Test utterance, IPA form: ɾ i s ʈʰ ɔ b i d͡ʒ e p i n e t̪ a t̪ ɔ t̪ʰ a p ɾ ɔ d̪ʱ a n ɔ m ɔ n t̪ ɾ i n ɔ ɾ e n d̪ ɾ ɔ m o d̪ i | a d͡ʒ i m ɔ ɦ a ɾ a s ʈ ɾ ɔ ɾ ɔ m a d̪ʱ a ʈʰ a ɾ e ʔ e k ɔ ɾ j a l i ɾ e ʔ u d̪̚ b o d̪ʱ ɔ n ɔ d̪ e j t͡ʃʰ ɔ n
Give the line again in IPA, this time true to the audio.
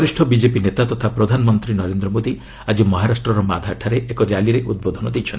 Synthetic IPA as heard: ɾ i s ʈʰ ɔ b i d͡ʒ e p i n e t̪ a t̪ ɔ t̪ʰ a p ɾ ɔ d̪ʱ a n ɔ m ɔ n t̪ ɾ i n ɔ ɾ e n d̪ ɾ ɔ m o d̪ i | a d͡ʒ i m ɔ ɦ a ɾ a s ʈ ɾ ɔ ɾ ɔ m a d̪ʱ a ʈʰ a ɾ e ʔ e k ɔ ɾ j a l i ɾ e ʔ u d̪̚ b o d̪ʱ ɔ n ɔ d̪ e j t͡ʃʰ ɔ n

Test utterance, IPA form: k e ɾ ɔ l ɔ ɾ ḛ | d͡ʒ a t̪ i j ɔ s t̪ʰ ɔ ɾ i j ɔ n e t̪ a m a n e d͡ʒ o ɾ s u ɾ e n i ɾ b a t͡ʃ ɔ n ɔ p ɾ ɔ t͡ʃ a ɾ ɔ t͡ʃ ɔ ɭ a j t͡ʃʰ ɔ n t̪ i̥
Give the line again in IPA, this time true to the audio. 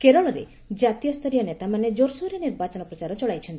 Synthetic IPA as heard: k e ɾ ɔ ɭ ɔ ɾ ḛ | d͡ʒ a t̪ i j ɔ s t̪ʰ ɔ ɾ i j ɔ n e t̪ a m a n e d͡ʒ o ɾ s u ɾ e n i ɾ b a t͡ʃ ɔ n ɔ p ɾ ɔ t͡ʃ a ɾ ɔ t͡ʃ ɔ ɭ a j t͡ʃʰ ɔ n t̪ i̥

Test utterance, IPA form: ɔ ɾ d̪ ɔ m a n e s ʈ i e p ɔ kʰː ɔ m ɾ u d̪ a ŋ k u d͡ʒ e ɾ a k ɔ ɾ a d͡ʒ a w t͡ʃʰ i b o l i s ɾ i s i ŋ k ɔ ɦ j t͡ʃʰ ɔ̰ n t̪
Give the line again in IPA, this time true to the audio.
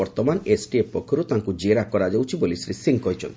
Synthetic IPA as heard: ɔ ɾ t̪ ɔ m a n e s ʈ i e p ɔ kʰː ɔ ɾ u t̪ a ŋ k u d͡ʒ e ɾ a k ɔ ɾ a d͡ʒ a w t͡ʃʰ i b o l i s ɾ i s i ŋ k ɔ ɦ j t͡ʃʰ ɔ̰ n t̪

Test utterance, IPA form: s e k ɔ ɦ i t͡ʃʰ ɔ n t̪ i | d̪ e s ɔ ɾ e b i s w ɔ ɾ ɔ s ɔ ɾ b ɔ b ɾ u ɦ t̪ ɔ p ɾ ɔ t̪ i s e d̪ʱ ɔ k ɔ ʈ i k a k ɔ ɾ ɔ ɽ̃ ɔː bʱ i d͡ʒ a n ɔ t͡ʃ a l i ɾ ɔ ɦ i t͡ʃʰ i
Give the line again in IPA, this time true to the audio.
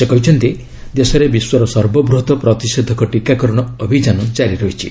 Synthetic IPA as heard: s e k ɔ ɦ i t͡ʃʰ ɔ n t̪ i | d̪ e s ɔ ɾ e b i s w ɔ ɾ ɔ s ɔ ɾ b ɔ b ɾ u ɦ t̪ ɔ p ɾ ɔ t̪ i s e d̪ʱ ɔ k ɔ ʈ i k a k ɔ ɾ ɔ ɽ̃ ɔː bʱ i d͡ʒ a n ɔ t͡ʃ a ɾ i ɾ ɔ ɦ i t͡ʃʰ i

